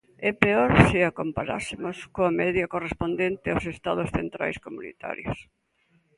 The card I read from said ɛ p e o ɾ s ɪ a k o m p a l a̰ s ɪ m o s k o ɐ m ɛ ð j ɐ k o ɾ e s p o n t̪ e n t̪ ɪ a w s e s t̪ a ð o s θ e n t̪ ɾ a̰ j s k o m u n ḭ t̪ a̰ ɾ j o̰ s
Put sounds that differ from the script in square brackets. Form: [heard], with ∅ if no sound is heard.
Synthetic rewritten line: ɛ p e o ɾ s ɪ a k o m p a [ɾ] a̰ s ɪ m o s k o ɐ m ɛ ð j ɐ k o [r] e s p o n [d̪] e n t̪ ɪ a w s e s t̪ a ð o s θ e n t̪ ɾ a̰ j s k o m u n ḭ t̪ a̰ ɾ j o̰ s